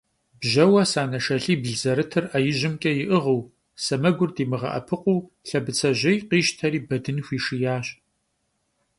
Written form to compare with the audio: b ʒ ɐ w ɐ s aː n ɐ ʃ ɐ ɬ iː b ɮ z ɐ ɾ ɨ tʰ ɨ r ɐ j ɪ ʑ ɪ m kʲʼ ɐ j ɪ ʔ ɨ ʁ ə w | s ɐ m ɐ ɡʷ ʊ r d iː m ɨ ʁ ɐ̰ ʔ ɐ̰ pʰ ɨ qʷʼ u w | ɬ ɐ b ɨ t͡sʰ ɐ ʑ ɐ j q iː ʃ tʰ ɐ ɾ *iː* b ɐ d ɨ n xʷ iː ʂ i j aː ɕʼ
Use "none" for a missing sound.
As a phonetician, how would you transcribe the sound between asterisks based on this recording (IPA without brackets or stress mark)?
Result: iː